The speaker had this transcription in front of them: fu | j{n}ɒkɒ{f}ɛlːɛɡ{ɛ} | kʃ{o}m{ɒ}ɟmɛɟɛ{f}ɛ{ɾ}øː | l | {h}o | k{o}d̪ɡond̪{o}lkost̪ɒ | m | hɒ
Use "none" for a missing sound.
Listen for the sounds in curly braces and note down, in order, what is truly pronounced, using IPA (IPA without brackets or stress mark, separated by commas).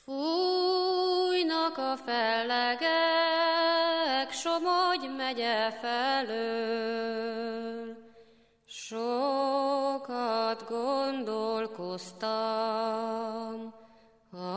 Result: n, f, ɛ, o, o, f, l, ʃ, ɒ, o